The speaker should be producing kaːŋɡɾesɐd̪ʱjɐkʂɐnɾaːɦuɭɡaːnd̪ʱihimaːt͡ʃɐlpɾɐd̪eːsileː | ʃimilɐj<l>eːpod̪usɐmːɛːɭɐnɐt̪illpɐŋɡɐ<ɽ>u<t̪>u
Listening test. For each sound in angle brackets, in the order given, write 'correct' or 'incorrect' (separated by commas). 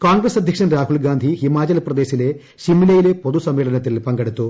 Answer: correct, correct, correct